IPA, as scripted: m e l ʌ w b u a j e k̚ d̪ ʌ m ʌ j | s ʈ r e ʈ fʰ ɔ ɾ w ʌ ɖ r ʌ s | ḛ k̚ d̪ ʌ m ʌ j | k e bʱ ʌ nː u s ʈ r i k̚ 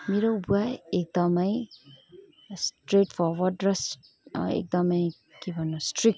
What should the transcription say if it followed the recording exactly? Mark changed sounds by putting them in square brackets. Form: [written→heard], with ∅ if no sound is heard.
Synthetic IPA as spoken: m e [l→ɾ] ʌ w b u a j e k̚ d̪ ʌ m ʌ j | s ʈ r e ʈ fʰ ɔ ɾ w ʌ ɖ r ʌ s | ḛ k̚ d̪ ʌ m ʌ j | k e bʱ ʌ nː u s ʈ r i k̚